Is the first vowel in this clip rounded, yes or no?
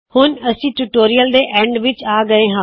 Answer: yes